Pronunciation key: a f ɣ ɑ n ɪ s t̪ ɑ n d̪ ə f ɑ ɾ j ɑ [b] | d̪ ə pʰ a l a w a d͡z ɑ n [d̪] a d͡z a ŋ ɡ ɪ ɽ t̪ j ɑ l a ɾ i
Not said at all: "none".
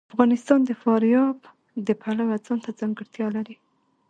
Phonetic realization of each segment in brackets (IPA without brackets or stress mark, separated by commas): b, t̪